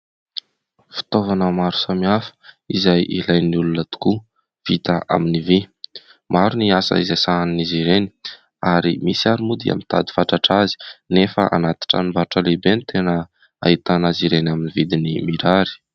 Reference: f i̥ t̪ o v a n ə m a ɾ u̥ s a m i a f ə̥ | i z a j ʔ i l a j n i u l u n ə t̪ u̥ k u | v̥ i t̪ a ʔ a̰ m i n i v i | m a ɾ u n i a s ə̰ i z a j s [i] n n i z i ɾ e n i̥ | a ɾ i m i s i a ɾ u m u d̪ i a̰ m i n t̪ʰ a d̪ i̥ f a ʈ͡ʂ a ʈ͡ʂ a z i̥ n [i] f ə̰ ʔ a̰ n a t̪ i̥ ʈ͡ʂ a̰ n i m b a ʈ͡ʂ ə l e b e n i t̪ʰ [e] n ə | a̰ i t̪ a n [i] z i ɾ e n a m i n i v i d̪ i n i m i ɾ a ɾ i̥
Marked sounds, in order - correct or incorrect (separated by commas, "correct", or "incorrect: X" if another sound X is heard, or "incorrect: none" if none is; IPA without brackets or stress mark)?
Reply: incorrect: a, incorrect: e, correct, incorrect: a